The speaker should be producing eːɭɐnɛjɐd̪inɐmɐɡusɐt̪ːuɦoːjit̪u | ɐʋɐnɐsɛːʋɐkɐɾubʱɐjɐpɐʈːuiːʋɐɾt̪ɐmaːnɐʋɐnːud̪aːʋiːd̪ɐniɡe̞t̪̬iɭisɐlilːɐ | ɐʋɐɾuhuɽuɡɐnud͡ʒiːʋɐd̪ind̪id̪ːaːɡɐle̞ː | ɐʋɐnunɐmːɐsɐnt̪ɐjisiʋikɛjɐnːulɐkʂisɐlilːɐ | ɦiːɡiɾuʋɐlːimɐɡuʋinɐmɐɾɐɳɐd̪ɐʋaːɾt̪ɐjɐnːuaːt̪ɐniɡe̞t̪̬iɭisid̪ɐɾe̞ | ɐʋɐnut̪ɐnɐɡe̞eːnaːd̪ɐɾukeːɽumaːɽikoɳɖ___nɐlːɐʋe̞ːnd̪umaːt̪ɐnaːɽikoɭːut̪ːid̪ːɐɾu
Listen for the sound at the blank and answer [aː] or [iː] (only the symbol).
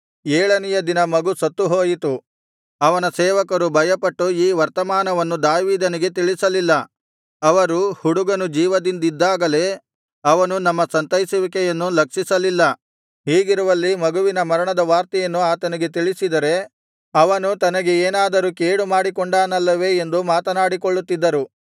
aː